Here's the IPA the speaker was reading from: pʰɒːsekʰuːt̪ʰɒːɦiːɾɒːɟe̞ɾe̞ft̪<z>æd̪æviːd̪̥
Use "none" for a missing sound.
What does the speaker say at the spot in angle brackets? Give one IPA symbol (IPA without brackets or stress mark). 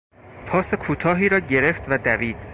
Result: v